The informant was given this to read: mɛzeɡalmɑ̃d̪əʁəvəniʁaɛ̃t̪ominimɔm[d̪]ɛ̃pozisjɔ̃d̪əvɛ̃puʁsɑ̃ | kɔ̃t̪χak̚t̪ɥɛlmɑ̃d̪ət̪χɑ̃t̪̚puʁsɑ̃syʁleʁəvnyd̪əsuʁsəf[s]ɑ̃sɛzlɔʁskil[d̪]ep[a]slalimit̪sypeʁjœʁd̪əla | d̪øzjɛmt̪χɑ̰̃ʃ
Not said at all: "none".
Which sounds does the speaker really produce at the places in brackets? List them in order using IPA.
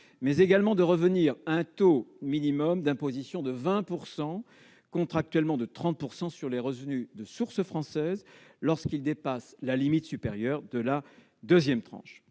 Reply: d̪, χ, d̪, a

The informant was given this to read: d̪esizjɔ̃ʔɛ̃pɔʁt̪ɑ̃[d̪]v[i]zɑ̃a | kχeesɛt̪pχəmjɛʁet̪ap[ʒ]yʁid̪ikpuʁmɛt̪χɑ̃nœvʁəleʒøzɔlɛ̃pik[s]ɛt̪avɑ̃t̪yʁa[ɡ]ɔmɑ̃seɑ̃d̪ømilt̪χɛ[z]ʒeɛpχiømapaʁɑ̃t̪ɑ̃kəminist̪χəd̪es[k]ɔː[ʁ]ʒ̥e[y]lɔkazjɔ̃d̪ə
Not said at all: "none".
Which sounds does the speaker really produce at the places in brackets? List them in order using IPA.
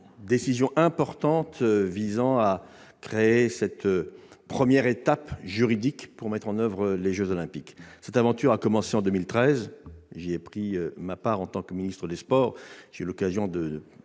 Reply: t̪, i, ʒ, s, k, z, p, ʁ, y

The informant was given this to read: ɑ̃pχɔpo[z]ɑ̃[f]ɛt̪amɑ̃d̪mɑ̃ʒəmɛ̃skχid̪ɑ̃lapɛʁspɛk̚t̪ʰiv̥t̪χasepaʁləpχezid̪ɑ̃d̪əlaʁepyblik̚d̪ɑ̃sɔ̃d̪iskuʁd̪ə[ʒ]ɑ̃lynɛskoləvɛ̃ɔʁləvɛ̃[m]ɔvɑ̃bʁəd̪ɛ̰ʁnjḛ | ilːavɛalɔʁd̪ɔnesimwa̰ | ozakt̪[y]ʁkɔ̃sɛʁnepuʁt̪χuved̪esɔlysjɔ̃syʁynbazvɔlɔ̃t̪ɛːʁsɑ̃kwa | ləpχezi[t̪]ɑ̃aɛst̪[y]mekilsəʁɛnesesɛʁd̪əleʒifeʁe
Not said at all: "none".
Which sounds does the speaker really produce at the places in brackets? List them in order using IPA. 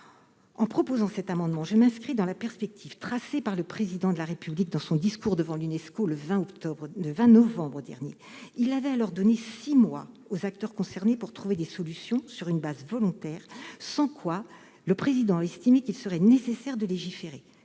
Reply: z, s, v, n, œ, d̪, i

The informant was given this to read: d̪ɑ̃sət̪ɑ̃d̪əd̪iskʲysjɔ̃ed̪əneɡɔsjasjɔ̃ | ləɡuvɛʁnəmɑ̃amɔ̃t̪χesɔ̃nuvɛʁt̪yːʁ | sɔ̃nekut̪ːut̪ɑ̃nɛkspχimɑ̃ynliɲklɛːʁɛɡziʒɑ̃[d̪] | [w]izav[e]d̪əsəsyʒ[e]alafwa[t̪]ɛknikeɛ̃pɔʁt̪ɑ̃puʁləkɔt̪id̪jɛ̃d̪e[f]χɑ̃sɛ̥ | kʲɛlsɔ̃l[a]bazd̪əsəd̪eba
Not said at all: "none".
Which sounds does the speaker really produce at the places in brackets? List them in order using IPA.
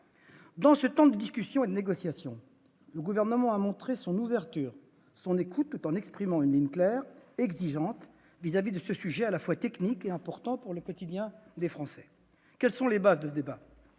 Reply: t̪, v, i, ɛ, t̪, f, e

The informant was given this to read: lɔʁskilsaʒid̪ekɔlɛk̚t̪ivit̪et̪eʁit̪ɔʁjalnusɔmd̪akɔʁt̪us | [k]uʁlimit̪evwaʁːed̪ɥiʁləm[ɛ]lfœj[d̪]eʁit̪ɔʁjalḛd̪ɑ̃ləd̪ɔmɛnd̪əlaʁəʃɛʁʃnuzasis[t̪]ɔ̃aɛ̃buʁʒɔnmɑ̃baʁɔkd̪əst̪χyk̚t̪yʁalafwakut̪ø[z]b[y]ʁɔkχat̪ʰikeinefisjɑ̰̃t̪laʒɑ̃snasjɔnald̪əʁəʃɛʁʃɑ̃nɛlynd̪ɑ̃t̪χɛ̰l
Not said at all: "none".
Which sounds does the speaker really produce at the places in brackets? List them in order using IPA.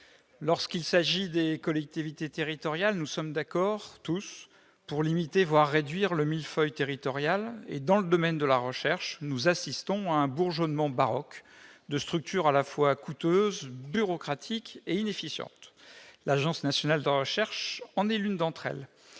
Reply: p, i, t̪, t̪, z, y

